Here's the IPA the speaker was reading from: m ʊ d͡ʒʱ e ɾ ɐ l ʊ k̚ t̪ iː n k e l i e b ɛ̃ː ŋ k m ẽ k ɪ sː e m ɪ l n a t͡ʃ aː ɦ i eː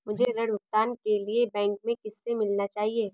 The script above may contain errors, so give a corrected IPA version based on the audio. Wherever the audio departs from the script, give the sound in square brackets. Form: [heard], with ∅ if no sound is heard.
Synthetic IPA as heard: m ʊ d͡ʒʱ e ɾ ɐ [ɽ] ʊ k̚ t̪ [aː] n k e l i e b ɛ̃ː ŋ k m ẽ k ɪ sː e m ɪ l n a t͡ʃ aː ɦ i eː